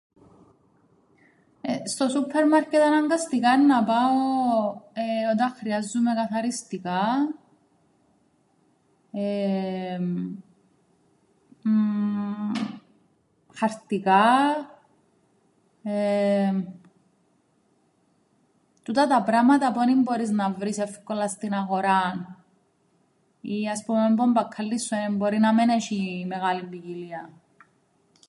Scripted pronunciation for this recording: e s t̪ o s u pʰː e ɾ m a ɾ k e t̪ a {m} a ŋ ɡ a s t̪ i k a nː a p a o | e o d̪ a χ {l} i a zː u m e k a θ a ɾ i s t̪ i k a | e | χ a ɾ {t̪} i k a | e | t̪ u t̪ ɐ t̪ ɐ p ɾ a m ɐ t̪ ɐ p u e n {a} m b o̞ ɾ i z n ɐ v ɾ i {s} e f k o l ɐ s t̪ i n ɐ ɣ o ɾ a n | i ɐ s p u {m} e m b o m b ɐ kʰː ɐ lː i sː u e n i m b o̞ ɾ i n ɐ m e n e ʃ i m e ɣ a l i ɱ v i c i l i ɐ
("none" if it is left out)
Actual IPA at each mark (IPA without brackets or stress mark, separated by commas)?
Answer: n, ɾ, t̪, i, s, m